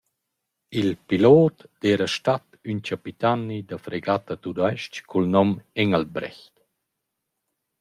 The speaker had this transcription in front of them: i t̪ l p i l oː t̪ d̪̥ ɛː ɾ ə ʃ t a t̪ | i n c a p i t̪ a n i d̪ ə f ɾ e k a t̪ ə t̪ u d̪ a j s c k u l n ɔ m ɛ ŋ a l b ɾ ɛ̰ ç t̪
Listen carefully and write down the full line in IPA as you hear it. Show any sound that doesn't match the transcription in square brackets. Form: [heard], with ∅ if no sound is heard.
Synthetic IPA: i [∅] l p i l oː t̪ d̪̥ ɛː ɾ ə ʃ t a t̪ | [y] n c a p i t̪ a n i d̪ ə f ɾ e [ɡ] a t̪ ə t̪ u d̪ a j [ʃ] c k u l n ɔ m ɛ ŋ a l b ɾ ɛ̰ ç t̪